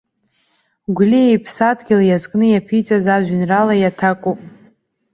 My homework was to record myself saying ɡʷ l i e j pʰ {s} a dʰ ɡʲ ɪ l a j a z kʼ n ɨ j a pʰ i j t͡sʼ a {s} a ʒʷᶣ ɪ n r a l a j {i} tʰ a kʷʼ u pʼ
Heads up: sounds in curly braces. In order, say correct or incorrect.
correct, incorrect: z, incorrect: a

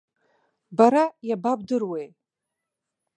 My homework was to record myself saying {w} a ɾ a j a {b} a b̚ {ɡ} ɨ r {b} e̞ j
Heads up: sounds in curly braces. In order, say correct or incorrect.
incorrect: b, correct, incorrect: d, incorrect: w

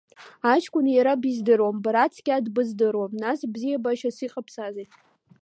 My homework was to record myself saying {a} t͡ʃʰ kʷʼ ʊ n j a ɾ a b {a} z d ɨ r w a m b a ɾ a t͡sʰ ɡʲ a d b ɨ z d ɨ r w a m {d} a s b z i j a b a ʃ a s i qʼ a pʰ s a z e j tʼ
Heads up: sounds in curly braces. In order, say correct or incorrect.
correct, incorrect: i, incorrect: n

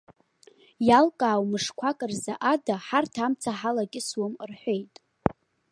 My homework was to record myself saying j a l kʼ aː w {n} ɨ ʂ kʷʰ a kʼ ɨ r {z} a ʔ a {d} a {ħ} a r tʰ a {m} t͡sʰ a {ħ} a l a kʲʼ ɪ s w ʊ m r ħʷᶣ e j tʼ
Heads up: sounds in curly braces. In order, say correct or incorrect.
incorrect: m, correct, correct, correct, correct, correct

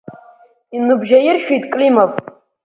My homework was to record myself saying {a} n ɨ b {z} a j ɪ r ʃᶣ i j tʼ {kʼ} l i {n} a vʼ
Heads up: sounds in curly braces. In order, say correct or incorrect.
incorrect: i, incorrect: ʒ, correct, incorrect: m

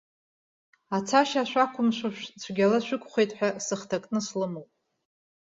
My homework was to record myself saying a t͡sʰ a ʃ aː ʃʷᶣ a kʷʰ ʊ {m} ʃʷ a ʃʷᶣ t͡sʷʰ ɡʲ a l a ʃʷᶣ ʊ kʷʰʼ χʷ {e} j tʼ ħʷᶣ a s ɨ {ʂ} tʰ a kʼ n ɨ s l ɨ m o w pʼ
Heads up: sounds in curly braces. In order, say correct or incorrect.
correct, correct, incorrect: χ

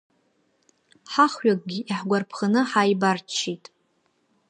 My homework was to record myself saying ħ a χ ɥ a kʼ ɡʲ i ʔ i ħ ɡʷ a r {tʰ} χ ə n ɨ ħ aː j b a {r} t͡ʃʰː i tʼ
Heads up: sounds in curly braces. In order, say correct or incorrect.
incorrect: pʰ, correct

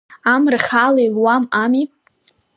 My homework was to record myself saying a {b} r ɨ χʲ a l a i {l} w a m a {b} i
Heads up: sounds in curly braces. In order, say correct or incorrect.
incorrect: m, correct, incorrect: m

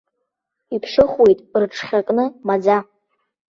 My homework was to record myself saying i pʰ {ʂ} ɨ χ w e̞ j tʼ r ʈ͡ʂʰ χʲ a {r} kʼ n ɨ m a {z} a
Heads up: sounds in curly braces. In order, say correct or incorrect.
correct, incorrect: none, incorrect: d͡z

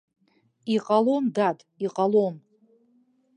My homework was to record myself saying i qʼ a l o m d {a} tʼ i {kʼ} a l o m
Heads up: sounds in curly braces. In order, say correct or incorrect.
correct, incorrect: qʼ

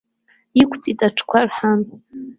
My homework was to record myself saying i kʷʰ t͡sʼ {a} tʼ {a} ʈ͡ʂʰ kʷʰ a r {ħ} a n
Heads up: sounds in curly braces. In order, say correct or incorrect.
incorrect: i, correct, correct

